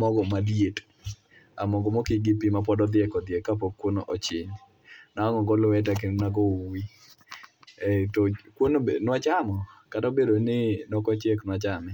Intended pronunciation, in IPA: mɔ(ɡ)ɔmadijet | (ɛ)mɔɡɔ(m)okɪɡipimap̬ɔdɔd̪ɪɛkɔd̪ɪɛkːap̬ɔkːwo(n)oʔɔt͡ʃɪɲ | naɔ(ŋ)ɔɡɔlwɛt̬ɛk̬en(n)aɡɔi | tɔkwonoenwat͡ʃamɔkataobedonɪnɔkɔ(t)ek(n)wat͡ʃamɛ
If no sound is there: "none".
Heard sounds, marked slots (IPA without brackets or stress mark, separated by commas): ɡ, a, m, n, ŋ, n, t͡ʃ, n